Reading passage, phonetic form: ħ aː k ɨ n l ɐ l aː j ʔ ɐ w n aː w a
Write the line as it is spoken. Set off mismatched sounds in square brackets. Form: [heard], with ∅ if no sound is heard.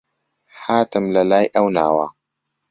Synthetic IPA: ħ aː [t] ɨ [m] l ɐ l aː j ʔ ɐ w n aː w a